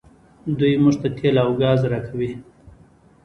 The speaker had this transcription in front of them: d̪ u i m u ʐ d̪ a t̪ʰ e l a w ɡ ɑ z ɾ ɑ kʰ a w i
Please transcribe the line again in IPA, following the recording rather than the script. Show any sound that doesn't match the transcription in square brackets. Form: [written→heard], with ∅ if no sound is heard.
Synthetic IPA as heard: d̪ u [i→j] m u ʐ [d̪→t̪] a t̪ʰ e l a w ɡ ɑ z ɾ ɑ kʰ a w i